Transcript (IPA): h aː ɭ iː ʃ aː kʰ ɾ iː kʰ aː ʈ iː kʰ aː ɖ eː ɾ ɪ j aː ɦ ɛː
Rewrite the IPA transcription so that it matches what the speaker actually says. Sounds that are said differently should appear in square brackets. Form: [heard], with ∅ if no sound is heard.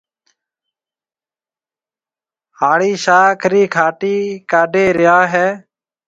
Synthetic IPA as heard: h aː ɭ iː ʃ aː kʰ ɾ iː kʰ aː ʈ iː [k] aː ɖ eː ɾ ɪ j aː ɦ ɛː